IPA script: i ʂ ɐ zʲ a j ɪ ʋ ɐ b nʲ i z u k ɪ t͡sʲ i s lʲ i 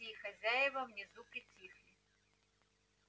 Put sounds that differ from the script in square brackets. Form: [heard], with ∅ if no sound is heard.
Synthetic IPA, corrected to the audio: i [x] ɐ zʲ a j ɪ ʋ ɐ [w] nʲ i z u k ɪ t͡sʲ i [x] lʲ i